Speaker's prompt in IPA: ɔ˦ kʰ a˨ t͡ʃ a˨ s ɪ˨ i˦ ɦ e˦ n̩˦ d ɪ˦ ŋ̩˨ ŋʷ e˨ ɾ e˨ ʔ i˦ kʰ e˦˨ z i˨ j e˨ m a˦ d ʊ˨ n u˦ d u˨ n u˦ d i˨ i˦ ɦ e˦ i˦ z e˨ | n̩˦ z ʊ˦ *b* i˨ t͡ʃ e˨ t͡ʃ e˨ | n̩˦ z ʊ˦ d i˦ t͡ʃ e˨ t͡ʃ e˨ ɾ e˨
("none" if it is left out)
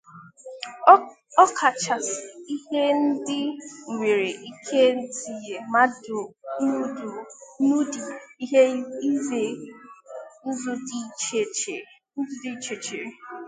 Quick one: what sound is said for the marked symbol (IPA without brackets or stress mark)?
d